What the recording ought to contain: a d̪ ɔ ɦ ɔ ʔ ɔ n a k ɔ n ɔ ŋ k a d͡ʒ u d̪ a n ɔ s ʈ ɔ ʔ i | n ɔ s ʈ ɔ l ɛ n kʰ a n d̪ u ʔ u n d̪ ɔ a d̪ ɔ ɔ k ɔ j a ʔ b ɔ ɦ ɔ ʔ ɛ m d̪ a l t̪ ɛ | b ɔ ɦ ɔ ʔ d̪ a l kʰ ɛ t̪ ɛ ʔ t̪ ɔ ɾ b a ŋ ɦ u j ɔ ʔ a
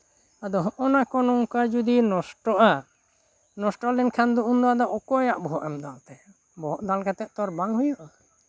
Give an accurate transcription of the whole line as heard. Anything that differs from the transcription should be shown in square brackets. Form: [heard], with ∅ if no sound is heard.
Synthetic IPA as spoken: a d̪ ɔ ɦ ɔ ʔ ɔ n a k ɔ n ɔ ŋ k a d͡ʒ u d̪ [i] n ɔ s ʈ ɔ ʔ [a] | n ɔ s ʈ ɔ l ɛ n kʰ a n d̪ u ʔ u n d̪ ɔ a d̪ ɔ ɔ k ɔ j a ʔ b ɔ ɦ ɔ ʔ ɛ m d̪ a l t̪ ɛ | b ɔ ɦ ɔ ʔ d̪ a l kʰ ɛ t̪ ɛ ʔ t̪ ɔ ɾ b a ŋ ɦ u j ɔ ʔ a

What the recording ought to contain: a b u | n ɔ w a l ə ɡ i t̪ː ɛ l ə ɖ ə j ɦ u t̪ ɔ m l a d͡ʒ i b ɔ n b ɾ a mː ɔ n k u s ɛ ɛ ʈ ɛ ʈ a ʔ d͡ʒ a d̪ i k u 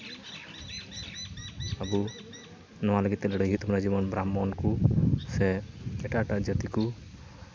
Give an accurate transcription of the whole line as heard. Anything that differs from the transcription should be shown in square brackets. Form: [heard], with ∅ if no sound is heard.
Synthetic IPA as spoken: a b u | n ɔ w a l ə ɡ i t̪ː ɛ l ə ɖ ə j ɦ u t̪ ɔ m [ɾ] a d͡ʒ i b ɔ n b ɾ a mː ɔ n k u s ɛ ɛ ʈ [a] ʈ a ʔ d͡ʒ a [t̪] i k u

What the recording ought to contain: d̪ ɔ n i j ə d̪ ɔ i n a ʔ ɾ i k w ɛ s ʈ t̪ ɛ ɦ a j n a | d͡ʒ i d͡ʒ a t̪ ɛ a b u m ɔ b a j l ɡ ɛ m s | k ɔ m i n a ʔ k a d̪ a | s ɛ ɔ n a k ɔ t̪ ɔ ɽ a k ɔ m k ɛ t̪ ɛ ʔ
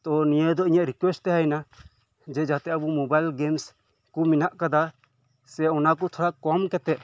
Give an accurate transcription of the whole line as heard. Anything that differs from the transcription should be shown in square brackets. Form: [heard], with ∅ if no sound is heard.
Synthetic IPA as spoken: [t̪] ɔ n i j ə d̪ ɔ i [ɲ] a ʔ ɾ i k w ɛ s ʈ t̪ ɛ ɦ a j n a | d͡ʒ [ɛ] d͡ʒ a t̪ ɛ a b u m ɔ b a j l ɡ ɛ m s | k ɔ m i n a ʔ k a d̪ a | s ɛ ɔ n a k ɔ [t̪ʰ] ɔ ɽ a k ɔ m k ɛ t̪ ɛ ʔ

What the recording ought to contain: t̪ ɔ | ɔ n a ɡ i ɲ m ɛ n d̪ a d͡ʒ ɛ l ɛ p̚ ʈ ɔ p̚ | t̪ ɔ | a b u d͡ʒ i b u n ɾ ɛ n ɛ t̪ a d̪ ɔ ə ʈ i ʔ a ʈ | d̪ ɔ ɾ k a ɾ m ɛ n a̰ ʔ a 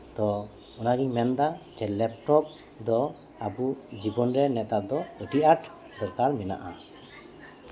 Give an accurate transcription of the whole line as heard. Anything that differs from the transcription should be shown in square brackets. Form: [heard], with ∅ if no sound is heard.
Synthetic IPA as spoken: t̪ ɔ | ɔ n a ɡ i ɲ m ɛ n d̪ a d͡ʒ ɛ l ɛ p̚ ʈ ɔ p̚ | [d̪] ɔ | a b u d͡ʒ i b [ɔ] n ɾ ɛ n ɛ t̪ a d̪ ɔ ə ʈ i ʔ a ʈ | d̪ ɔ ɾ k a ɾ m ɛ n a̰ ʔ a

